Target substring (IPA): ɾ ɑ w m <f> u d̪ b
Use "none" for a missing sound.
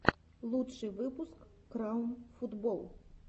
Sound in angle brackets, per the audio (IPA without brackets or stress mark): f